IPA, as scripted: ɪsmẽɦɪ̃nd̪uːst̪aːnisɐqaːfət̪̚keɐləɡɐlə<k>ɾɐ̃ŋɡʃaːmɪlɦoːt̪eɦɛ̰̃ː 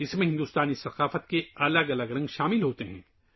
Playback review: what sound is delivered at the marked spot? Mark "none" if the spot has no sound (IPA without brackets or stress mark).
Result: ɡ